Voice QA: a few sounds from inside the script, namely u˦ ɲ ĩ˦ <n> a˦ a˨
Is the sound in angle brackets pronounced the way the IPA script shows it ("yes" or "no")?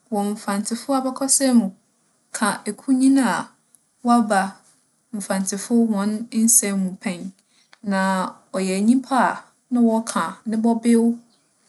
yes